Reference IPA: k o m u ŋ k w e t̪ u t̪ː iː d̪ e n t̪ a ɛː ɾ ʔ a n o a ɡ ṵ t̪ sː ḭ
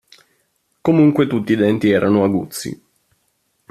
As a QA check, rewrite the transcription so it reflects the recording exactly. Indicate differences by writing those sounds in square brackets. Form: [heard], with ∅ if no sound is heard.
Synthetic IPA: k o m u ŋ k w e t̪ u t̪ː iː d̪ [ɛ] n t̪ [i] ɛː ɾ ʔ a n o a ɡ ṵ t̪ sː ḭ